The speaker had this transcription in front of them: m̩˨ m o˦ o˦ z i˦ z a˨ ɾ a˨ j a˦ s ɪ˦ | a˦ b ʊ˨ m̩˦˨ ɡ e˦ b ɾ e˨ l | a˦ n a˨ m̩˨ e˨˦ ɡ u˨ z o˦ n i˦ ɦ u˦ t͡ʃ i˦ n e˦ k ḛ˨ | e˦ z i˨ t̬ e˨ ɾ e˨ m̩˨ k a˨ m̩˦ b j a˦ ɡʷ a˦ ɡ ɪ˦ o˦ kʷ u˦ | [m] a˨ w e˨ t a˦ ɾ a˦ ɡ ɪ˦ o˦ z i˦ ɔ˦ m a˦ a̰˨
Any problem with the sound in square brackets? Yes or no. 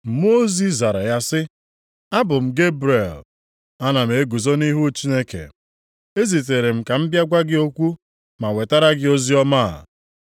no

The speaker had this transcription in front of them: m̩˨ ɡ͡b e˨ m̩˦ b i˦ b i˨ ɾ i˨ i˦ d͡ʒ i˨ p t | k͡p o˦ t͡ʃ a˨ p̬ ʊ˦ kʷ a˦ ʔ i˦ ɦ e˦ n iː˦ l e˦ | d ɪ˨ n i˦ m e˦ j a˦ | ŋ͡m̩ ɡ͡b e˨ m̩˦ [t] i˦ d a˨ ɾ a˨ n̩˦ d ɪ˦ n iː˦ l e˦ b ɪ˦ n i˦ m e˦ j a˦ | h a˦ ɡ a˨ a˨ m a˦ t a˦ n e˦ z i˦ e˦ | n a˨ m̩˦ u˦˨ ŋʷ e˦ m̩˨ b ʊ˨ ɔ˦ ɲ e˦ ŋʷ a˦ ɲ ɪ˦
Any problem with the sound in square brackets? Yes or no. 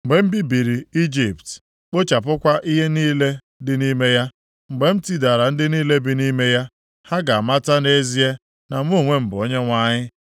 no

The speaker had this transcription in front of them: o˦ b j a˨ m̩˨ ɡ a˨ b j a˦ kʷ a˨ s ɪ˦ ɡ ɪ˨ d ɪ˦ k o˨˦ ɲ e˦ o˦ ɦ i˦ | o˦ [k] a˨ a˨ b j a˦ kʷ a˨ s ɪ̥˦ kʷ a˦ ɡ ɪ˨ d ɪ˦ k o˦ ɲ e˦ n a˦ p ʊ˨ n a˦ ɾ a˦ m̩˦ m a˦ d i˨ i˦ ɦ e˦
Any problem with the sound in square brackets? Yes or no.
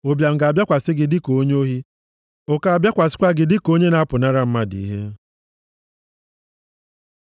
no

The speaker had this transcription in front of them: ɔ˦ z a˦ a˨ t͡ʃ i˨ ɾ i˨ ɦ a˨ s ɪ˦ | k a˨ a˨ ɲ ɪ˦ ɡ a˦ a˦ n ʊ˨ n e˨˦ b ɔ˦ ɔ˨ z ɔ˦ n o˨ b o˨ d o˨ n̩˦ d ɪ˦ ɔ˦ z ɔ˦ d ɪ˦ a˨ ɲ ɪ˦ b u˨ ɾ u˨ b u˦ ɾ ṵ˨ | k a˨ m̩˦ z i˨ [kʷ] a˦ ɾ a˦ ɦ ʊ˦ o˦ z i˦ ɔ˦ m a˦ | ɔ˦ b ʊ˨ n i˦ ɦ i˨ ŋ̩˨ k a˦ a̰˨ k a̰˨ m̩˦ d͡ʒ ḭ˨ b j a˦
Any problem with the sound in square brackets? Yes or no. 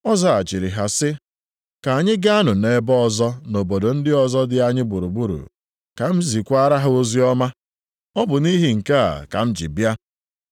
no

